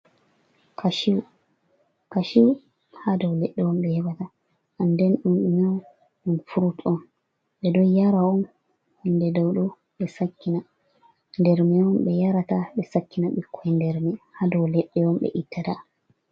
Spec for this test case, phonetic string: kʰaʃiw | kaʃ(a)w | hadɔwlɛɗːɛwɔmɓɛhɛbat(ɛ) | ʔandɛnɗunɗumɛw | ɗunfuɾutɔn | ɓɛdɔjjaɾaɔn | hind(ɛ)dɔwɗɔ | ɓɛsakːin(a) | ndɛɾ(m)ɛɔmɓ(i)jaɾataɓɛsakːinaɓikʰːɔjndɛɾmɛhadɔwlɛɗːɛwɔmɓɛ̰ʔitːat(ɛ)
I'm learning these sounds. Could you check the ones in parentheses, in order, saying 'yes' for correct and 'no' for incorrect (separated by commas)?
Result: no, no, yes, yes, yes, no, no